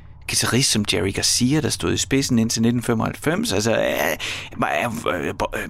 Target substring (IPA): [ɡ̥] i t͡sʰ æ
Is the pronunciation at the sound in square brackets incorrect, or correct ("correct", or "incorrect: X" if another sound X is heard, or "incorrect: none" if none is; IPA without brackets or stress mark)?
correct